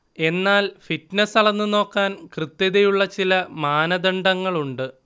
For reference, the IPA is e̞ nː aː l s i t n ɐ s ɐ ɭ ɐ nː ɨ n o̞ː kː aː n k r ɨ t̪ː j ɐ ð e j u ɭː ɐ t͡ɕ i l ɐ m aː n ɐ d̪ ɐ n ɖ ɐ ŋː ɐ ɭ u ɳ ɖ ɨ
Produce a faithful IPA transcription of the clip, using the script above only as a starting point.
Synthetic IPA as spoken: e̞ nː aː l f i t n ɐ s ɐ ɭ ɐ nː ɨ n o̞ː kː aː n k r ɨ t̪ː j ɐ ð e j u ɭː ɐ t͡ɕ i l ɐ m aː n ɐ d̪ ɐ ɳ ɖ ɐ ŋː ɐ ɭ u ɳ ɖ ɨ